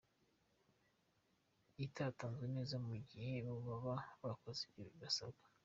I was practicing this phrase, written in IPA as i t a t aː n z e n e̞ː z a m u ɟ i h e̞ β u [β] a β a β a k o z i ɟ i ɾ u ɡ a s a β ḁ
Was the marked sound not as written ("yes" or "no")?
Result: no